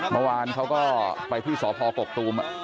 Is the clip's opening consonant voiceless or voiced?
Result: voiced